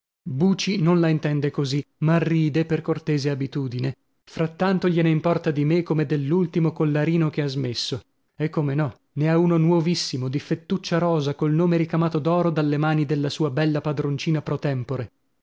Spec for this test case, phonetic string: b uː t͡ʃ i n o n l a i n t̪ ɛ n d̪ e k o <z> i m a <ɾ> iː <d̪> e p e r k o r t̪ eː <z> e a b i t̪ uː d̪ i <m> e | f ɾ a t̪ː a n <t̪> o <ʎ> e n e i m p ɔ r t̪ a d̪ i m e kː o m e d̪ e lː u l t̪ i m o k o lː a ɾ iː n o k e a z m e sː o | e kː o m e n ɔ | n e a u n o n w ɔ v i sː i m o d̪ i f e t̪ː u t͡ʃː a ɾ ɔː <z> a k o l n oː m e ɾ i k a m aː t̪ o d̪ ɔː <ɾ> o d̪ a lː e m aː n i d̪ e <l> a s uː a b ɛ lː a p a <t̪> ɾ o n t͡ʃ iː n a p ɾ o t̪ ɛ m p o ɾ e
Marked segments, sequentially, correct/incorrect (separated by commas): correct, incorrect, correct, correct, incorrect, correct, correct, correct, correct, incorrect, incorrect